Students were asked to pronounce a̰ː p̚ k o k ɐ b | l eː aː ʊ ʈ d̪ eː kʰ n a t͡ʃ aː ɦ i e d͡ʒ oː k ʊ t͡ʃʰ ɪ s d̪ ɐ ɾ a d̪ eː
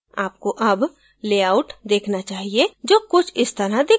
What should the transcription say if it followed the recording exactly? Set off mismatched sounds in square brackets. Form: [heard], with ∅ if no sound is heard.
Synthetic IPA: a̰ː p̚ k o [ʔ] ɐ b | l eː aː ʊ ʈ d̪ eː kʰ n a t͡ʃ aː ɦ i e d͡ʒ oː k ʊ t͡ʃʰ ɪ s [t̪] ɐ ɾ a d̪ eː

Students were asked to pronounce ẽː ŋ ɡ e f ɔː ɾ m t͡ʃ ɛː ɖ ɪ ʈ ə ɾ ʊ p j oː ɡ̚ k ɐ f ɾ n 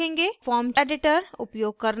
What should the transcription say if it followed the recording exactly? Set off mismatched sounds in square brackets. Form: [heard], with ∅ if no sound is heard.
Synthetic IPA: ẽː ŋ ɡ e f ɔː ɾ m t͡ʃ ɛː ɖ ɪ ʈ ə ɾ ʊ p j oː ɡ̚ k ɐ [∅] ɾ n

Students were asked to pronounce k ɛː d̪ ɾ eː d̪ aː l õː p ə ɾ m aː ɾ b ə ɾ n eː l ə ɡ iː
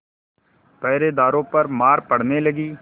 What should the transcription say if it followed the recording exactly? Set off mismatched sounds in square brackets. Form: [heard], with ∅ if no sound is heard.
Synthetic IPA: [p] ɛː [∅] ɾ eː d̪ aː [ɾ] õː p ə ɾ m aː ɾ [p] ə [ɽ] n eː l ə ɡ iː

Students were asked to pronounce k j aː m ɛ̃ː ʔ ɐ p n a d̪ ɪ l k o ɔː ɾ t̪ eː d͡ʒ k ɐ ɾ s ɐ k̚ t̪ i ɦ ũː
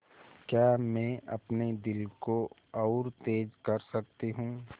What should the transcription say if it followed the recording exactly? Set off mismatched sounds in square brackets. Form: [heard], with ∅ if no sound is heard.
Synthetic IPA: k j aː m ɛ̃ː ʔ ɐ p n [e] d̪ ɪ l k o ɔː ɾ t̪ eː d͡ʒ k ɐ ɾ s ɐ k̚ t̪ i ɦ ũː

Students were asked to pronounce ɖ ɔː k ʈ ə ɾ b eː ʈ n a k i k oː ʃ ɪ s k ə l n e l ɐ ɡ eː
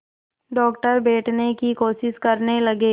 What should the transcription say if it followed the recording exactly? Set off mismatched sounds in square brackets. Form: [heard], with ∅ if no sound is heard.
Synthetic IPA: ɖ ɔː k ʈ ə ɾ b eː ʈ n [e] k i k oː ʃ ɪ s k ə [ɾ] n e l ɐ ɡ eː

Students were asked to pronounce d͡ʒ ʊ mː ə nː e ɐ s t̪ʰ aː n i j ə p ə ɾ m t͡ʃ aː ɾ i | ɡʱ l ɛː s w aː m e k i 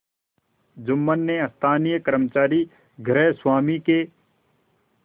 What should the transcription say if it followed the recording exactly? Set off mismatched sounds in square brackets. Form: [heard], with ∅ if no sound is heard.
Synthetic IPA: d͡ʒ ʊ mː ə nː e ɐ s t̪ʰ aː n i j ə [k] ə ɾ m t͡ʃ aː ɾ i | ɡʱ [ɾ] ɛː s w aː m [i] k [e]

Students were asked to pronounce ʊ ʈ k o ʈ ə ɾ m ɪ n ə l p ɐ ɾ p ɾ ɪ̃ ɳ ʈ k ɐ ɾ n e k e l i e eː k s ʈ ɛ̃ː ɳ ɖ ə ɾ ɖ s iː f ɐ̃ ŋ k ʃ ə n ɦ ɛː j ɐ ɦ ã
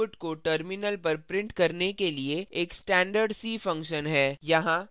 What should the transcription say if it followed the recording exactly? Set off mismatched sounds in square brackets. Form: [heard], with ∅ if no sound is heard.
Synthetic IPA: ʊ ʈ k o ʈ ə ɾ m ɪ n ə l p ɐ ɾ p ɾ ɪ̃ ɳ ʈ k ɐ ɾ n e k e l i e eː k s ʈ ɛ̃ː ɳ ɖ ə ɾ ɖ s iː f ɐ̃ ŋ k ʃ ə n ɦ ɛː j ɐ ɦ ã

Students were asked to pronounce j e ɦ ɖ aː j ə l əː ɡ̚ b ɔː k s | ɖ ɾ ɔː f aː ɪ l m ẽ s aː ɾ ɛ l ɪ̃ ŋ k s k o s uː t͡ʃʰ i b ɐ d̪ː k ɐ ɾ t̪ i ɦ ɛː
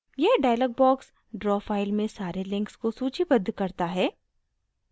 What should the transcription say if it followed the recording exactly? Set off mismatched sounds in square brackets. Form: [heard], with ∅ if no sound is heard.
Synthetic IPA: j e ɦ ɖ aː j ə l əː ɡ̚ b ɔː k s | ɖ ɾ ɔː f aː ɪ l m ẽ s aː ɾ [e] l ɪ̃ ŋ k s k o s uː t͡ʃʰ i b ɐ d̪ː k ɐ ɾ t̪ [a] ɦ ɛː

